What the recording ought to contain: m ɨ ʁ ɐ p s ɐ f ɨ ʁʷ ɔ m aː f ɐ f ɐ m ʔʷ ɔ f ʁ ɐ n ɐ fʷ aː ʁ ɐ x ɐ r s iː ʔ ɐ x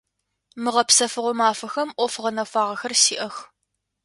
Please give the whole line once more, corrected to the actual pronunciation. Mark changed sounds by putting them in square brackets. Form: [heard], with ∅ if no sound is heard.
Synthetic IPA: m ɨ ʁ ɐ p s ɐ f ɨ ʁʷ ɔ m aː f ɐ [x] ɐ m ʔʷ ɔ f ʁ ɐ n ɐ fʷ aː ʁ ɐ x ɐ r s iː ʔ ɐ x